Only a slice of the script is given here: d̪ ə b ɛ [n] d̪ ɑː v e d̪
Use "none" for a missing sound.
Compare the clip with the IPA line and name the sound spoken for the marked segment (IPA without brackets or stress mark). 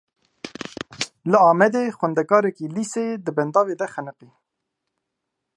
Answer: n